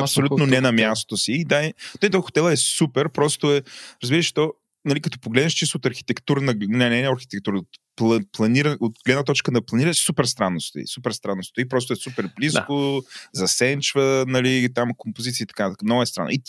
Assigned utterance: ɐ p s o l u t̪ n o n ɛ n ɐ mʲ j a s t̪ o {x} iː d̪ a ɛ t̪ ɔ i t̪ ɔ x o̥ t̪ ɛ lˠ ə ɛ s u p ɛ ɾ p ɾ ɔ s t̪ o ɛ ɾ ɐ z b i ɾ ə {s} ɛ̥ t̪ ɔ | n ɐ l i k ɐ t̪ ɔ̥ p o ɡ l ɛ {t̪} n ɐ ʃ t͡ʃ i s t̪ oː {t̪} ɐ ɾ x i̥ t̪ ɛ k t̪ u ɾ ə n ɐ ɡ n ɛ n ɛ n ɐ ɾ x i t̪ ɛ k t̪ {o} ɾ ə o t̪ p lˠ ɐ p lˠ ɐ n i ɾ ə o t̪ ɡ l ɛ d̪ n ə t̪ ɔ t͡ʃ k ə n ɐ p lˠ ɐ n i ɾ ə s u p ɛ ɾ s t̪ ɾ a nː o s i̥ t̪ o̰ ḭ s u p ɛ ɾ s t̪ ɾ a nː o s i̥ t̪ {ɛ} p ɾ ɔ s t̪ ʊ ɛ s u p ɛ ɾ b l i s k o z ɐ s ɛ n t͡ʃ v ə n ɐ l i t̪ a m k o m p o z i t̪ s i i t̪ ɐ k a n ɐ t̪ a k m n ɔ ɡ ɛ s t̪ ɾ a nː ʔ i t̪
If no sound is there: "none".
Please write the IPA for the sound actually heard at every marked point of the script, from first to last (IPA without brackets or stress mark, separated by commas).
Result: s, ʃ, d̪, t̪, u, i